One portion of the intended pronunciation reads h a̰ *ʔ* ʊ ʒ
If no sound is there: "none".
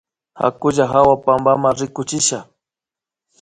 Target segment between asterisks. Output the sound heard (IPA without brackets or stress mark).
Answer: k